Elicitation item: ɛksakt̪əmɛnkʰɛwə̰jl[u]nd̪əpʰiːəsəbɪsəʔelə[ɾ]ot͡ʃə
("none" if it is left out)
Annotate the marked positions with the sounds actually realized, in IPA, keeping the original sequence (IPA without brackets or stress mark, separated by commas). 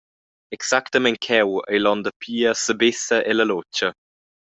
ɔ, l